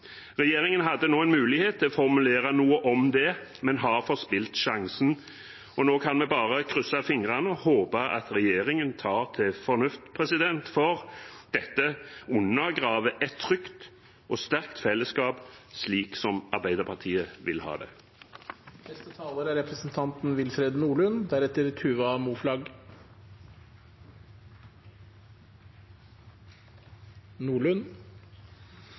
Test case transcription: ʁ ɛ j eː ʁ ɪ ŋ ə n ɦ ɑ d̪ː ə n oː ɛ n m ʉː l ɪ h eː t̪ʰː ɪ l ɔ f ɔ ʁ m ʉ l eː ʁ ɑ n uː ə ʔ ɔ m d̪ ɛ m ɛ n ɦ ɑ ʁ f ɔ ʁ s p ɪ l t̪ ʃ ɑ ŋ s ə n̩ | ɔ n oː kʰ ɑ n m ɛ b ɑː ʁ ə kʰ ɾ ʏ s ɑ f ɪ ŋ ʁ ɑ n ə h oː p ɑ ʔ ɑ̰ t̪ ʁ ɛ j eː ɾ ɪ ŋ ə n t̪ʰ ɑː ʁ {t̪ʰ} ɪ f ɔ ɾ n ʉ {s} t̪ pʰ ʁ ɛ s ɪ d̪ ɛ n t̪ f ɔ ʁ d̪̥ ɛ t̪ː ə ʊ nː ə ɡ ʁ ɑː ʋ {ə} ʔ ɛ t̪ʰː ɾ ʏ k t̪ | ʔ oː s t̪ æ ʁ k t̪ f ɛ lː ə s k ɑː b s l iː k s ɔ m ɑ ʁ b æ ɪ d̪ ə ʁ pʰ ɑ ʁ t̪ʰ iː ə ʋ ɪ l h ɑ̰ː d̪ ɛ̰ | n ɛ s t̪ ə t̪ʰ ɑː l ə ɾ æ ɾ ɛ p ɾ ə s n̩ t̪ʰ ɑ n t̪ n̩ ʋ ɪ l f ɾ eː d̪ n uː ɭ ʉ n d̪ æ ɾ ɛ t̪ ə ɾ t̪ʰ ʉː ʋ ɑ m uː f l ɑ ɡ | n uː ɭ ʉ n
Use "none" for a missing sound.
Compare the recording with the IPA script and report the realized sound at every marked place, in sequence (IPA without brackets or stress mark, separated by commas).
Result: t̪ʰ, f, ə